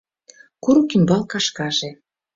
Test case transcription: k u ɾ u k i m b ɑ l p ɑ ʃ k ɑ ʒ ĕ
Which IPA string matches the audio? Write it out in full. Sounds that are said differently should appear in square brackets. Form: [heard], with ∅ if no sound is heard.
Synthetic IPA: k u ɾ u k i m b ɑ l [k] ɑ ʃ k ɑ ʒ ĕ